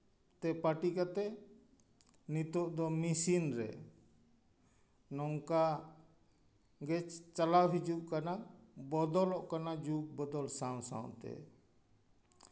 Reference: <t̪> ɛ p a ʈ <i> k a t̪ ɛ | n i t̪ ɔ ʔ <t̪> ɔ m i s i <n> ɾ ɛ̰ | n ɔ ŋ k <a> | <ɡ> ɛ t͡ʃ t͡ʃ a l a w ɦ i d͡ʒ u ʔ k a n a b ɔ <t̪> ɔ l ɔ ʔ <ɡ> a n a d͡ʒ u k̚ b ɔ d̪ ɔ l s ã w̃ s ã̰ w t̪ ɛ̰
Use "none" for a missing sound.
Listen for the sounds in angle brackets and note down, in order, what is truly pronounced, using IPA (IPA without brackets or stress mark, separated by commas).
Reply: t̪, i, d̪, n, a, ɡ, d̪, k